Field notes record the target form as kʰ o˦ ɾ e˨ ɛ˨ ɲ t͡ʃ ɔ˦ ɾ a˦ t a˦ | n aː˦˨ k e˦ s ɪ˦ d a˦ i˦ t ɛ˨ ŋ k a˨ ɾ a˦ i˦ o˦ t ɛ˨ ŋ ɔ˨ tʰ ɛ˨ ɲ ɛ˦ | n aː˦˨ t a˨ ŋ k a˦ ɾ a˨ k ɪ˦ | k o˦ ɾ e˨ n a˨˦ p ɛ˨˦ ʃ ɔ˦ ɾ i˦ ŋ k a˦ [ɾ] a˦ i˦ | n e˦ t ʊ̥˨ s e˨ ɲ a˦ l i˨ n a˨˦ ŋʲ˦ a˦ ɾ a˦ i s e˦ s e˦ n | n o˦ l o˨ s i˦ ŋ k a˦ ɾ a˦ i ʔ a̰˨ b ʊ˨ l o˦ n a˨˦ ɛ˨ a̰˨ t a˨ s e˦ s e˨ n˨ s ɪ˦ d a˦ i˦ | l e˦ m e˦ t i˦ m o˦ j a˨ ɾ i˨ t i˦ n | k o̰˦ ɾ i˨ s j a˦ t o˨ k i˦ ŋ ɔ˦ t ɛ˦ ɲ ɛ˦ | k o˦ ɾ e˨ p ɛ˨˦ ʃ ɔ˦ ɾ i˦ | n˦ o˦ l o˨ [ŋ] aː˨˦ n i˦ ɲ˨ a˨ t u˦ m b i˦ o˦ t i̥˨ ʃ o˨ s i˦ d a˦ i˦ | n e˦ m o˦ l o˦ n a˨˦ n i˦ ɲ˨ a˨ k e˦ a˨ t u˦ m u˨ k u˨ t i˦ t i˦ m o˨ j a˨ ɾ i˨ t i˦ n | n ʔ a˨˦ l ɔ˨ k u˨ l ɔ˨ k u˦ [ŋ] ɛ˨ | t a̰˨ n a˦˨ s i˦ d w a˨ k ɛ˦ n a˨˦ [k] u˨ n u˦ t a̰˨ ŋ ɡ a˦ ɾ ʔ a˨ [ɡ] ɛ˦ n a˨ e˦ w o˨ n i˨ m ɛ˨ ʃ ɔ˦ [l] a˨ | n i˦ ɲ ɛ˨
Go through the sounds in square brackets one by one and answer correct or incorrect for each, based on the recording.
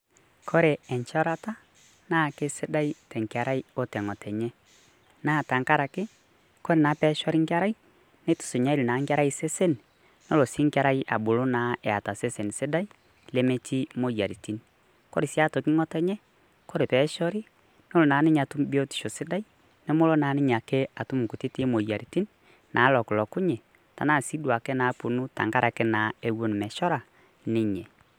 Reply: correct, incorrect: n, incorrect: ɲ, incorrect: p, incorrect: k, incorrect: ɾ

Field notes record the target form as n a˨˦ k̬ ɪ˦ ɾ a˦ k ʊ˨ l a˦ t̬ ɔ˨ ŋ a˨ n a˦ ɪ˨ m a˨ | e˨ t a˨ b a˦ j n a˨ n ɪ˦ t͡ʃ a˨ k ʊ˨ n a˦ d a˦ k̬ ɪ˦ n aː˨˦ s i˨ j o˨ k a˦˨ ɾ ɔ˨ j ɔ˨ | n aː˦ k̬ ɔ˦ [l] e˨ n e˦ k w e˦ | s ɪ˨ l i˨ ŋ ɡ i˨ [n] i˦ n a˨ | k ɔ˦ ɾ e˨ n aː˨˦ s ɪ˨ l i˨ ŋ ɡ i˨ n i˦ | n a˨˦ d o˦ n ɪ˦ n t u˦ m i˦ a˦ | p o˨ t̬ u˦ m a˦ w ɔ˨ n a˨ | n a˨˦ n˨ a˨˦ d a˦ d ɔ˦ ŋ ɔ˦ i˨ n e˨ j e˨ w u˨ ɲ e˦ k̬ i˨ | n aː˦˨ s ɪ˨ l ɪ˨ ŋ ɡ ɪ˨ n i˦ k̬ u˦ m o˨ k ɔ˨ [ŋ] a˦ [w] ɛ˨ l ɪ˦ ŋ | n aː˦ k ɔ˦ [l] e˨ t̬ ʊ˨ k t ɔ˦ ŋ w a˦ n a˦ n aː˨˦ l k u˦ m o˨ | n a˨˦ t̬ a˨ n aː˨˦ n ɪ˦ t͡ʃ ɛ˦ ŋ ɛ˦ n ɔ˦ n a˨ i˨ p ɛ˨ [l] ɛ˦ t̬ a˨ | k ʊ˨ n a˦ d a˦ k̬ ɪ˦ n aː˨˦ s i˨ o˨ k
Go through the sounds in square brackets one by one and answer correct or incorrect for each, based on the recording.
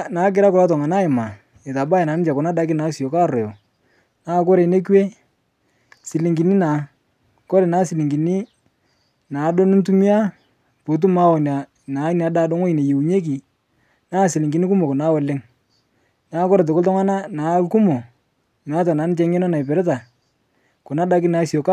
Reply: incorrect: ɾ, correct, incorrect: n, correct, incorrect: ɾ, incorrect: ɾ

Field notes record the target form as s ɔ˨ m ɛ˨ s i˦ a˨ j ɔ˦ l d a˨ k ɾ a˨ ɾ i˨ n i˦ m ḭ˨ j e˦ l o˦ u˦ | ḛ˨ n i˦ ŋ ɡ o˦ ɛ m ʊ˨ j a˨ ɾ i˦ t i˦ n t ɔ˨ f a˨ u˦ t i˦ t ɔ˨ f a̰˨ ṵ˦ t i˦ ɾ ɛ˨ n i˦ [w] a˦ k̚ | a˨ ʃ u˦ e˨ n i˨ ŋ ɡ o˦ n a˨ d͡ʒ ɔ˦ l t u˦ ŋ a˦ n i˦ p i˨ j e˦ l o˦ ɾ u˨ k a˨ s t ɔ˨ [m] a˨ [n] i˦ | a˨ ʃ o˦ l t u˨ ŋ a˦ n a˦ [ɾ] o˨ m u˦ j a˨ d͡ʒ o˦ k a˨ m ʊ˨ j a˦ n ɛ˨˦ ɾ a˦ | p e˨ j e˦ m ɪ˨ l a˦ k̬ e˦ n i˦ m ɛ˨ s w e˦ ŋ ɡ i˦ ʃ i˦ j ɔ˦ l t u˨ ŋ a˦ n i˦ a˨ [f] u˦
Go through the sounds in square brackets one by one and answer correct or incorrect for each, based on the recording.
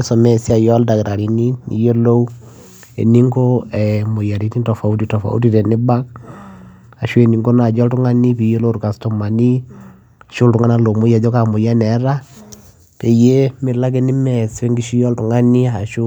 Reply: incorrect: b, correct, correct, incorrect: l, incorrect: ʃ

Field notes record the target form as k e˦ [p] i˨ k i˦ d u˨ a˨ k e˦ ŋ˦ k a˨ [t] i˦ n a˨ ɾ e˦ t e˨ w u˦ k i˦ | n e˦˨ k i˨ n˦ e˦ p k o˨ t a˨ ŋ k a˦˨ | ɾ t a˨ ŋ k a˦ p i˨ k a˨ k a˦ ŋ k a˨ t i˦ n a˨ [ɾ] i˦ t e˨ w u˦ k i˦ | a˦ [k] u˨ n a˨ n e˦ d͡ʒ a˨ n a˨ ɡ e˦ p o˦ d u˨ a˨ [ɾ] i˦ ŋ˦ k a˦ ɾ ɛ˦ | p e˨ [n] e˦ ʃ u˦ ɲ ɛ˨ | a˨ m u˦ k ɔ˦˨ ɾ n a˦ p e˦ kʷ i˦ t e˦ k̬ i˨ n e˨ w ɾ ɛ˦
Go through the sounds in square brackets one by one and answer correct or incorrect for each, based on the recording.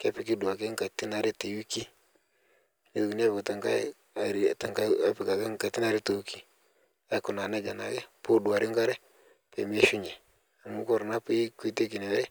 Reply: correct, correct, correct, correct, correct, incorrect: m

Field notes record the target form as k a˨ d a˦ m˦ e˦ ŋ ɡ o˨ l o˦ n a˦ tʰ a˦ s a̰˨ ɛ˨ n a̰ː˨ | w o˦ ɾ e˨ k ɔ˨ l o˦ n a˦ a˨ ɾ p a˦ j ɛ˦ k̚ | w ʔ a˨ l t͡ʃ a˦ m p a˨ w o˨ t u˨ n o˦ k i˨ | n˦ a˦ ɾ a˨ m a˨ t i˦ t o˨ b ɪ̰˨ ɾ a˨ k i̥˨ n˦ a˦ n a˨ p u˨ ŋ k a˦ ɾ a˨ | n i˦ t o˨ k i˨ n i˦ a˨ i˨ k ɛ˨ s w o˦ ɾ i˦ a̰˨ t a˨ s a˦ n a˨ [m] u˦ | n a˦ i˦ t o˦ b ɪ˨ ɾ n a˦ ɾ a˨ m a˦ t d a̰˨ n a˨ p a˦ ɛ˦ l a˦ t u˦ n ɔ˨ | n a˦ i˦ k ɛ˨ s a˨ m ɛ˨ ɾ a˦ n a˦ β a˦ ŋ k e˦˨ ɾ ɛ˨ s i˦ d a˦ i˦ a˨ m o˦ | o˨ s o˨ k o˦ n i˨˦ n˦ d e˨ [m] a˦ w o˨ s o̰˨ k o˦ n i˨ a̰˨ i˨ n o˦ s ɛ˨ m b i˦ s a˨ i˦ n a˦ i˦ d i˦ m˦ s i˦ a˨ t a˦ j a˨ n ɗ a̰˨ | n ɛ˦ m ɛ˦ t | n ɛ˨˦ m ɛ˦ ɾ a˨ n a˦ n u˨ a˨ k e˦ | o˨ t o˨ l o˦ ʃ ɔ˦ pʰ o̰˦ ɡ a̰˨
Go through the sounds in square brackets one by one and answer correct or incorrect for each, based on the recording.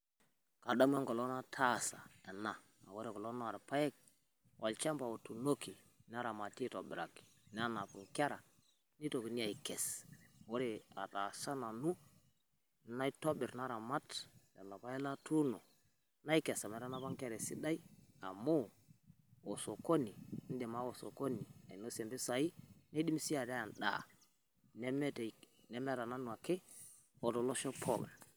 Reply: incorrect: n, correct

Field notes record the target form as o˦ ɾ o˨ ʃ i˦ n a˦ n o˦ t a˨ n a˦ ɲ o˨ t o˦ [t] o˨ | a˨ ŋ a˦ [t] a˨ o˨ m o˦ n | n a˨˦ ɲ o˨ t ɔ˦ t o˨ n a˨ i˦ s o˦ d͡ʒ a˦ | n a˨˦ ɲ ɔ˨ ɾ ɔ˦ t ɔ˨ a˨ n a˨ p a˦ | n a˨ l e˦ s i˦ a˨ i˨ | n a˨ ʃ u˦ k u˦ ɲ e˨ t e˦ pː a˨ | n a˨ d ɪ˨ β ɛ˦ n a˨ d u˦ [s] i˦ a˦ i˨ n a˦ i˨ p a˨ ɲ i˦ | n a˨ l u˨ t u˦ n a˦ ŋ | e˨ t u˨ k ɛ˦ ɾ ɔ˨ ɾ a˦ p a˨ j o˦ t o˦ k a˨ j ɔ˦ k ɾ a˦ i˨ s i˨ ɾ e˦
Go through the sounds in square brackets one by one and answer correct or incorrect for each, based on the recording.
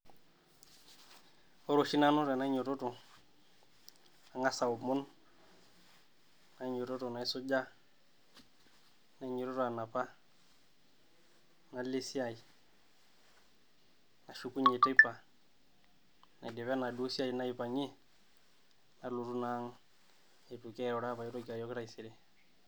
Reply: correct, incorrect: s, correct

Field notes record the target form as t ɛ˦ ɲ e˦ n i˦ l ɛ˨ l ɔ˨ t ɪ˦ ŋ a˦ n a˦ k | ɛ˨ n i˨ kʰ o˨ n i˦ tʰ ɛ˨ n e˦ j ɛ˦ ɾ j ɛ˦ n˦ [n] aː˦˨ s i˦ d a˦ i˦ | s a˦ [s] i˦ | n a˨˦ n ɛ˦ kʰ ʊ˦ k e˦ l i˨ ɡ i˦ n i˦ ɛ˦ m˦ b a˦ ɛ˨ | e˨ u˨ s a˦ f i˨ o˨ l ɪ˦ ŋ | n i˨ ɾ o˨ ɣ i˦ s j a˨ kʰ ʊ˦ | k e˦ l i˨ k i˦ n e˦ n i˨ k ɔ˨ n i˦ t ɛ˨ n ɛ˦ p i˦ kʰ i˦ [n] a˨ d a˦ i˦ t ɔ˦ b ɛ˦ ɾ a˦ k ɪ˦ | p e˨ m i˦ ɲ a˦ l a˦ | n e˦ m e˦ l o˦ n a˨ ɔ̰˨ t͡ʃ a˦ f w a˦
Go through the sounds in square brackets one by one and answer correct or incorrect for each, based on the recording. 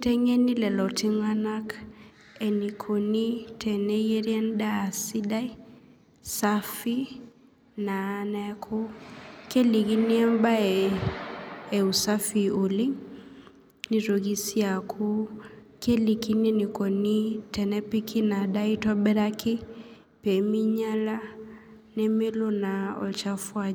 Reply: incorrect: d, incorrect: f, correct

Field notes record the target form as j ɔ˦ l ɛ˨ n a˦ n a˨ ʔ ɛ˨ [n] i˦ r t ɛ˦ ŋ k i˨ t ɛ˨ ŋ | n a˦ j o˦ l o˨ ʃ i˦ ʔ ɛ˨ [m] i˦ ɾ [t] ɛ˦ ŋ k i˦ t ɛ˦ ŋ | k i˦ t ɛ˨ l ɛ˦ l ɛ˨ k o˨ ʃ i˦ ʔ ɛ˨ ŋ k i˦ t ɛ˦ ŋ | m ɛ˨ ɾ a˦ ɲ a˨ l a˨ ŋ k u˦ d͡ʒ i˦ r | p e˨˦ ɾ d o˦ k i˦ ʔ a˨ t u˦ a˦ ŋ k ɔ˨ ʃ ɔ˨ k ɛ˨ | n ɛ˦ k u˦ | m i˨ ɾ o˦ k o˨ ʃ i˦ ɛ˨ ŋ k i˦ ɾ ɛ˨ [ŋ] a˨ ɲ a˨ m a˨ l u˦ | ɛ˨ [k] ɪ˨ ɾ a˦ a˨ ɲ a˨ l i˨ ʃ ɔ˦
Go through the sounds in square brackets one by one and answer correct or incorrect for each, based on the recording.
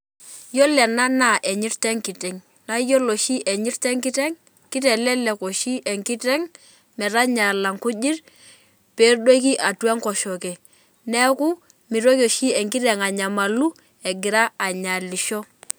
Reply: incorrect: ɲ, incorrect: ɲ, correct, correct, incorrect: ɡ

